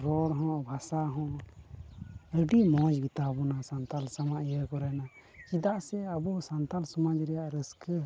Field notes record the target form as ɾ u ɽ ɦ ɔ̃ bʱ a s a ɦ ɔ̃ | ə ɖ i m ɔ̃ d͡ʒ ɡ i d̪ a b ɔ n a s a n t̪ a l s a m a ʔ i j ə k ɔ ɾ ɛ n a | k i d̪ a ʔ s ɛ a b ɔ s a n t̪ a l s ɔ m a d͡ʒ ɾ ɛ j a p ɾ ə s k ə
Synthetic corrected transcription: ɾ ɔ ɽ ɦ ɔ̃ bʱ a s a ɦ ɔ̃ | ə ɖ i m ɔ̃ d͡ʒ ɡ i t̪ a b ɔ n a s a n t̪ a l s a m a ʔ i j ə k ɔ ɾ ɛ n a | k i d̪ a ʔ s ɛ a b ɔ s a n t̪ a l s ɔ m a d͡ʒ ɾ ɛ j a ʔ ɾ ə s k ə